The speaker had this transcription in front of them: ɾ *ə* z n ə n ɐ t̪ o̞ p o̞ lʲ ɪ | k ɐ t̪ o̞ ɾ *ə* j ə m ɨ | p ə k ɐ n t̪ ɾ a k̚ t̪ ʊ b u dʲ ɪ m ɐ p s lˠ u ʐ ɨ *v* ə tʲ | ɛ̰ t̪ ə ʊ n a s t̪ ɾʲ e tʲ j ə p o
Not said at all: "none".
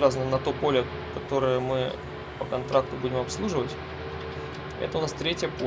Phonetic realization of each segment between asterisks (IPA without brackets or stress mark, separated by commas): a, ə, v